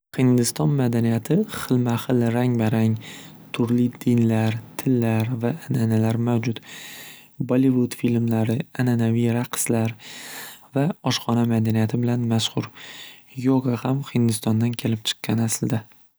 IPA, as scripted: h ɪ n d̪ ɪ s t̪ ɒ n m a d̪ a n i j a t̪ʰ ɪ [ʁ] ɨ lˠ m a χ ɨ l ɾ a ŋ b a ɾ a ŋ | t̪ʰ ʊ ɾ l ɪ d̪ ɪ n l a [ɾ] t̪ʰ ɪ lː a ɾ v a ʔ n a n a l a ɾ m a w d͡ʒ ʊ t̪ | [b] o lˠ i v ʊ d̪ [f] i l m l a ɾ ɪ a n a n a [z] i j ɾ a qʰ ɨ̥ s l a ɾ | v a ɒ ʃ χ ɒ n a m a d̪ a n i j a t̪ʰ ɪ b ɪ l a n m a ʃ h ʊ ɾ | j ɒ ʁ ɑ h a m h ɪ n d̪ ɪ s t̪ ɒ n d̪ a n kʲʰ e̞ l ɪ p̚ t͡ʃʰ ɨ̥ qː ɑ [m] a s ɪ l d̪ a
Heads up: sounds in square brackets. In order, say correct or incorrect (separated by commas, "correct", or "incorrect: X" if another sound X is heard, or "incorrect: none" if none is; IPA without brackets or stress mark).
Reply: incorrect: χ, correct, correct, correct, incorrect: v, incorrect: n